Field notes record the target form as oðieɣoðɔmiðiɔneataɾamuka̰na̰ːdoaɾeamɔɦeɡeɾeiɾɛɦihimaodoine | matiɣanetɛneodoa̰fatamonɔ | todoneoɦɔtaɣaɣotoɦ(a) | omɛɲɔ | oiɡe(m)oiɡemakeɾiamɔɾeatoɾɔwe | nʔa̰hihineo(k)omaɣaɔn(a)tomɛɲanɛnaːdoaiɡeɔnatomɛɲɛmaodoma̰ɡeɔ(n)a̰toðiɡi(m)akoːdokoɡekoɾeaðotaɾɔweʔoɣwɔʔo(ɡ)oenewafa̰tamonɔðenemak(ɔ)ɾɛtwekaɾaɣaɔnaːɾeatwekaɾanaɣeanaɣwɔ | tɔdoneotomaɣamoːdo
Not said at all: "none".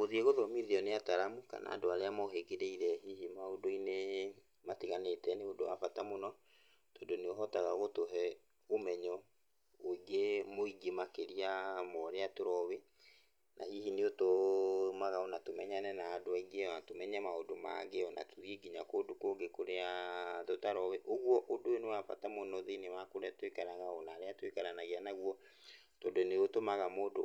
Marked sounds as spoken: ɛ, m, t, a, n, ɲ, d, o

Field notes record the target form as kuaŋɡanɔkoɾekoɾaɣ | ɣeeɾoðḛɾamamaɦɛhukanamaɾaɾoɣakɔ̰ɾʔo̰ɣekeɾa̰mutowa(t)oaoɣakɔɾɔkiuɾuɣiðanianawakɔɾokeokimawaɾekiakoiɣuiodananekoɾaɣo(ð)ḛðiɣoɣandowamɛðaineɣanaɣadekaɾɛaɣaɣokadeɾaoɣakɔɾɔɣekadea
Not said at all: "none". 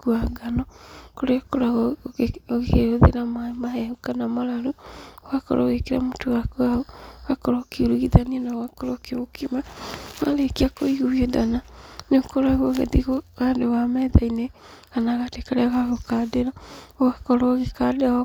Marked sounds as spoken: k, ɣ

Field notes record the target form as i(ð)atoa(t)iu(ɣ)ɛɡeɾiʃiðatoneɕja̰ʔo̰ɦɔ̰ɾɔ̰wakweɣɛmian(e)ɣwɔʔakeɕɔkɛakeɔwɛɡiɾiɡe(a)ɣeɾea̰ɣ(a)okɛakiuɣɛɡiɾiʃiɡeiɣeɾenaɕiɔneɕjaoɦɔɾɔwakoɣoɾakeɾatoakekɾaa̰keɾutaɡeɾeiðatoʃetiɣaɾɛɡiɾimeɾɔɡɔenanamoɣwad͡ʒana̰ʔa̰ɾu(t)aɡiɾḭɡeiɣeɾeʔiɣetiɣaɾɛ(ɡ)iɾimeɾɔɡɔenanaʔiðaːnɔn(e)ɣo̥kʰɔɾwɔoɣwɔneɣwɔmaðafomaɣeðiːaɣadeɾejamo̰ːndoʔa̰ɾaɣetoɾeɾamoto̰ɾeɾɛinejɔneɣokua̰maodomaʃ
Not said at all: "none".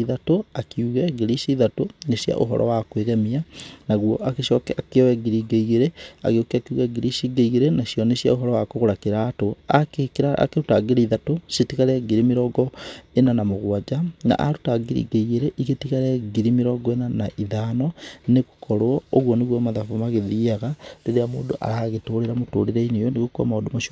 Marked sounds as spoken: ð, k, ɣ, a, i, e, t, ɡ, e

